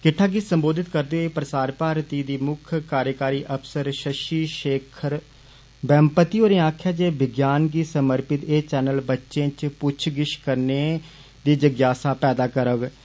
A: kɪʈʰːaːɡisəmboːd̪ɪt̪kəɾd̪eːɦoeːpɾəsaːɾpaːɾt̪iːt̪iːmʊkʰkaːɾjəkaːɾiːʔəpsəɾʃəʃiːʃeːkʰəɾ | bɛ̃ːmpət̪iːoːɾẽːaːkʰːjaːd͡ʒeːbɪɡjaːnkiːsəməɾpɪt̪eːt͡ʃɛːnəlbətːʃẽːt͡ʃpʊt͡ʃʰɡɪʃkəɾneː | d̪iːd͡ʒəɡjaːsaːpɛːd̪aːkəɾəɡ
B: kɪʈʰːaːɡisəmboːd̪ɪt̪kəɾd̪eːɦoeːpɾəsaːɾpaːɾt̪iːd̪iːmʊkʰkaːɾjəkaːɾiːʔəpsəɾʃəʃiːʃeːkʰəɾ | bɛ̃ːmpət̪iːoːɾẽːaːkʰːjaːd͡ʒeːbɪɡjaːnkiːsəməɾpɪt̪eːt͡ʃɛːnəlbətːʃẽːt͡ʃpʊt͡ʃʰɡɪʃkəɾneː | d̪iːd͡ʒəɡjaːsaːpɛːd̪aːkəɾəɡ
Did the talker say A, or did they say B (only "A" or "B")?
B